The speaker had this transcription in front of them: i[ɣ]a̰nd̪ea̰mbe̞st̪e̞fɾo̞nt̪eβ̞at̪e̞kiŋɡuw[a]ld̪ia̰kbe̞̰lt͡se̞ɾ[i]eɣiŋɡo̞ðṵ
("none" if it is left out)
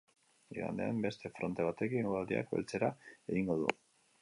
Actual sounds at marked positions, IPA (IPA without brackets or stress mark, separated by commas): ɣ, a, a